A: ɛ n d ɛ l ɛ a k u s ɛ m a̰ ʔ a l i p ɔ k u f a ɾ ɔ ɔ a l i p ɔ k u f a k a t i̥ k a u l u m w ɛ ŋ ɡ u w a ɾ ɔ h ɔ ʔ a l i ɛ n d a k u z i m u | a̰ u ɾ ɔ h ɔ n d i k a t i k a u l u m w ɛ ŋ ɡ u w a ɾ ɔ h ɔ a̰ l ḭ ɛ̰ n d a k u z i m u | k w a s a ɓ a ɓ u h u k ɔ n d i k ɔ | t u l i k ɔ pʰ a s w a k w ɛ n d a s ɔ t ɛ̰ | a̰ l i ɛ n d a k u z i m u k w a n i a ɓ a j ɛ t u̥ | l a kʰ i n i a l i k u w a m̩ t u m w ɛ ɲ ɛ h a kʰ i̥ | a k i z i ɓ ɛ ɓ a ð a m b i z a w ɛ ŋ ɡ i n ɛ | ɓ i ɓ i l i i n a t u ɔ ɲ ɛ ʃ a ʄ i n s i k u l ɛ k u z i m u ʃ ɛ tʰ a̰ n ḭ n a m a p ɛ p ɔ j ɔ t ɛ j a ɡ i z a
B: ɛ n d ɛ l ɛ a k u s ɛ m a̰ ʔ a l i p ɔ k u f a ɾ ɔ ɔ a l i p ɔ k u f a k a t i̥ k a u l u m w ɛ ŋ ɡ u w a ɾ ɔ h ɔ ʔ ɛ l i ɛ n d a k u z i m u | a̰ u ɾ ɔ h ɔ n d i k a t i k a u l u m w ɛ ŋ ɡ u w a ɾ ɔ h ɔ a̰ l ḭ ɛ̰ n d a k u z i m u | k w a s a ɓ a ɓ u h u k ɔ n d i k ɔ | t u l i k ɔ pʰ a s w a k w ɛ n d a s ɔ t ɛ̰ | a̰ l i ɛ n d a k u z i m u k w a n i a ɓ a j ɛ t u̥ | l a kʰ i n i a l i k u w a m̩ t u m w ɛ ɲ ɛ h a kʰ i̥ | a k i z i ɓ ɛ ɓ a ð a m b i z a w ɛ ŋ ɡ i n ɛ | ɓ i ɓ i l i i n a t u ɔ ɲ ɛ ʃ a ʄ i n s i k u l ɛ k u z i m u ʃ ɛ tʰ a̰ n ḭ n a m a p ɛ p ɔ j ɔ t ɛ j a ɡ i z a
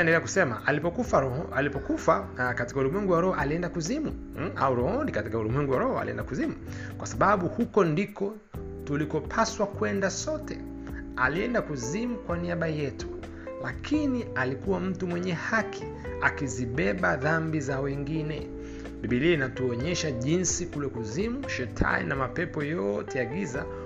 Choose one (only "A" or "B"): A